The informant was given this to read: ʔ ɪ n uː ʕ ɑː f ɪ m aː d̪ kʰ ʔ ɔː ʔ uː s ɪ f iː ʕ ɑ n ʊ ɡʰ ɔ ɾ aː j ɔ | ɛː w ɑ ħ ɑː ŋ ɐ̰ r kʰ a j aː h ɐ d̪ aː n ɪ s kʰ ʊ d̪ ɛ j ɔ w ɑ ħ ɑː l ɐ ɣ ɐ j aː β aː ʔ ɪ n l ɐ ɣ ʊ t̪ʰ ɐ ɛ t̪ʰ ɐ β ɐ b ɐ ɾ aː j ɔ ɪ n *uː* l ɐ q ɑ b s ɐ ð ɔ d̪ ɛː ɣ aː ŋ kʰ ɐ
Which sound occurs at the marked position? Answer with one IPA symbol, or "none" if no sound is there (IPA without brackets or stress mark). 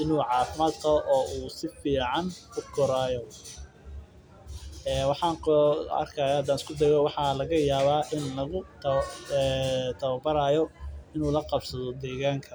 uː